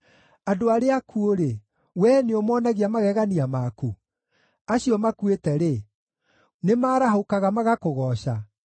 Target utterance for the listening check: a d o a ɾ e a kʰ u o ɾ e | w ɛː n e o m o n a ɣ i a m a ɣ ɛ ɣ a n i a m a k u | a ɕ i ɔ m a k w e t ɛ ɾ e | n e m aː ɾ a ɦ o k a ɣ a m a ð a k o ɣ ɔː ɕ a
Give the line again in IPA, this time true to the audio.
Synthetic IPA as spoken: a d o a ɾ e a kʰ u o ɾ e | w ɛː n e o m ɔ n a ɣ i a m a ɣ ɛ ɣ a n i a m a k u | a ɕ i ɔ m a k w e t ɛ ɾ e | n e m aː ɾ a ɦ o k a ɣ a m a ɣ a k o ɣ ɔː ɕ a